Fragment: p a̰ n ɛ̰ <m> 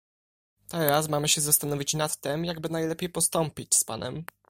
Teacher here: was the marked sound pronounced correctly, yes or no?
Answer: yes